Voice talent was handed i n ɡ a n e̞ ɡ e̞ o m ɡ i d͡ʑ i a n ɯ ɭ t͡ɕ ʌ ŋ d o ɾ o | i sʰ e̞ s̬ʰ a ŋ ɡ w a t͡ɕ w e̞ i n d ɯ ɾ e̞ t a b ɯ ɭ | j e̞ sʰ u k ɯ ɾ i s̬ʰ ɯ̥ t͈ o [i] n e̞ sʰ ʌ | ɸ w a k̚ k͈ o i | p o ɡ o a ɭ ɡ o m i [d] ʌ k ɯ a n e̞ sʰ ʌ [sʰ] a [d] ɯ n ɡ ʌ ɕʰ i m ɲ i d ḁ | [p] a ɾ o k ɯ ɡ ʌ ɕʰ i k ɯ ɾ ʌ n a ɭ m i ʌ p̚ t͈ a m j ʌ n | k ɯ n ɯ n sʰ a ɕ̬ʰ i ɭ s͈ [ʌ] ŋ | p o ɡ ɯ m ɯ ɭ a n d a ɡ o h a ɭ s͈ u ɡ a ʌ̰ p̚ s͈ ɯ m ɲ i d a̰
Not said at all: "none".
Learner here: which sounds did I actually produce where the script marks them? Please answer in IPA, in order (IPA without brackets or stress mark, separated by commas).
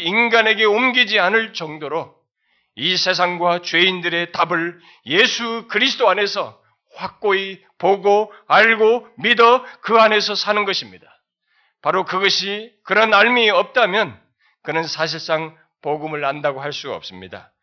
a, d, sʰ, n, p, a